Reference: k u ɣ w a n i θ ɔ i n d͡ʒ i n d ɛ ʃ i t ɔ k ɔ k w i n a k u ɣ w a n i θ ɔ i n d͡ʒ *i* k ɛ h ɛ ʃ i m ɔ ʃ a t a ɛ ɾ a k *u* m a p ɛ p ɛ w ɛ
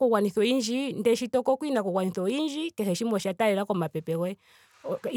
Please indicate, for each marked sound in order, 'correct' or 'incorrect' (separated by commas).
correct, incorrect